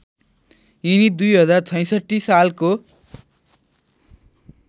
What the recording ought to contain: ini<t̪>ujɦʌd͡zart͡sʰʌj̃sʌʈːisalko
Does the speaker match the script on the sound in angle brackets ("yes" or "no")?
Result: no